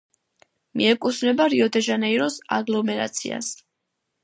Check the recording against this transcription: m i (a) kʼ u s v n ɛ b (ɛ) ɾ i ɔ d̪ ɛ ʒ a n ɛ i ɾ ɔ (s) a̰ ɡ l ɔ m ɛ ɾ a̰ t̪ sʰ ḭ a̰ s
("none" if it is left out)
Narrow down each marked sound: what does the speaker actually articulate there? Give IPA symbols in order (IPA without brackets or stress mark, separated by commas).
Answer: ɛ, a, s